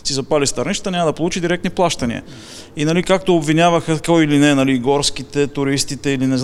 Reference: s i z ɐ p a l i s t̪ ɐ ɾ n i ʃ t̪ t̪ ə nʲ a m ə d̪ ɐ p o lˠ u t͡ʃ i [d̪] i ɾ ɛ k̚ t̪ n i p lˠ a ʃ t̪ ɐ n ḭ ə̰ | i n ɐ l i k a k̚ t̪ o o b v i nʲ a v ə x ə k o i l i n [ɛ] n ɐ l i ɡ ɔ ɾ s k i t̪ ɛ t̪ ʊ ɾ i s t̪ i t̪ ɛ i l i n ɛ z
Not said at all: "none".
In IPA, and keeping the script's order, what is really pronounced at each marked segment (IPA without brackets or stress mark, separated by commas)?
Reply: d̪, ɛ